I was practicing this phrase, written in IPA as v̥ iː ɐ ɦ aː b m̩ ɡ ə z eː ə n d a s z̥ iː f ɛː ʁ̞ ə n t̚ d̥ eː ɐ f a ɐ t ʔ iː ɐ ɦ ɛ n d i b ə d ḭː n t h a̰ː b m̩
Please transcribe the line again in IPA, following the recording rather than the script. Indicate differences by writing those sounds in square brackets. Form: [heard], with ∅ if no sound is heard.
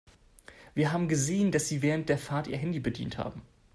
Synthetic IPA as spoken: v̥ iː ɐ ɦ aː b m̩ ɡ ə z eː ə n d a s z̥ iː [v] ɛː ʁ̞ ə n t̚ d̥ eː ɐ f a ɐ t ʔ iː ɐ ɦ ɛ n d i b ə d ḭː n t h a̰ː b m̩